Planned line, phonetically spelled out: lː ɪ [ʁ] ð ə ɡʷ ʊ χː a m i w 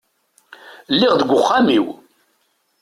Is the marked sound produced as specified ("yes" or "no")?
yes